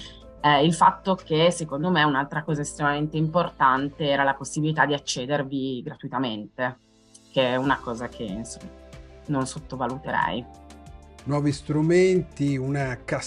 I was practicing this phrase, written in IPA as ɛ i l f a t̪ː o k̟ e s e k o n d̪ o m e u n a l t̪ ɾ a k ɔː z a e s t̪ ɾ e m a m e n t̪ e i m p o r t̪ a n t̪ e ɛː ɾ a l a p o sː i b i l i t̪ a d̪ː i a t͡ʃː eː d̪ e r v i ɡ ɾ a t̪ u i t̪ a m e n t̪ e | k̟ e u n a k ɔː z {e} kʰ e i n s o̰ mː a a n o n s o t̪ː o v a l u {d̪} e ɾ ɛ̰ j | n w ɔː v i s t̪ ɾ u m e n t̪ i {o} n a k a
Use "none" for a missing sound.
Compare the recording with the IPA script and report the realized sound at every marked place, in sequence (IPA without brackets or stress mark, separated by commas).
a, t̪, u